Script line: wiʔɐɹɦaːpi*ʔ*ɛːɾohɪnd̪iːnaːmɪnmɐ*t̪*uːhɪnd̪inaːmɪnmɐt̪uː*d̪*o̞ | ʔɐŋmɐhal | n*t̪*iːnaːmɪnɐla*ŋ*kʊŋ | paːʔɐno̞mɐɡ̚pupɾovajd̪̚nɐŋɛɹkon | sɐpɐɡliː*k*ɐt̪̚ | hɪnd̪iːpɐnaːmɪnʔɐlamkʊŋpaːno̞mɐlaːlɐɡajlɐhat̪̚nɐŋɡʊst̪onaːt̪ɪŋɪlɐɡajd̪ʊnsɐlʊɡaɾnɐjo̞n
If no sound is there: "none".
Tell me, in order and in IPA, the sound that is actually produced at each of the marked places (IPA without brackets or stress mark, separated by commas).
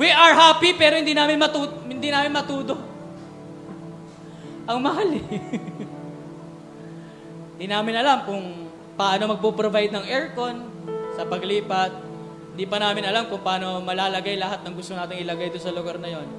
p, t̪, d̪, d̪, m, p